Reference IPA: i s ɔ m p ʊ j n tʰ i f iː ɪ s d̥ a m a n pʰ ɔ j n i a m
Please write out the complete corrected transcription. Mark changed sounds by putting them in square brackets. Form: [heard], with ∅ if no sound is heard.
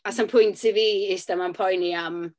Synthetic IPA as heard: [a] s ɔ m [pʰ] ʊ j n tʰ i [v] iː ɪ s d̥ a m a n pʰ ɔ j n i a m